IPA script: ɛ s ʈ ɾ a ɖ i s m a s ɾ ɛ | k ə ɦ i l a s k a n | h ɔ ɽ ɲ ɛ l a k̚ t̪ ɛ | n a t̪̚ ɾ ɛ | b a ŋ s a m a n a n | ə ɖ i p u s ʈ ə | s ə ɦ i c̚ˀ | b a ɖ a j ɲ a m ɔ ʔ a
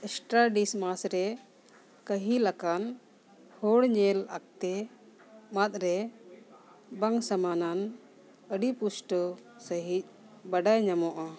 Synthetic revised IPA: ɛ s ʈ ɾ a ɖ i s m a s ɾ ɛ | k ə ɦ i l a k a n | h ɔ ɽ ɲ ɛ l a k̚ t̪ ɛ | m a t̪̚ ɾ ɛ | b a ŋ s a m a n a n | ə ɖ i p u s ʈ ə | s ə ɦ i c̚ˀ | b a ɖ a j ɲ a m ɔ ʔ a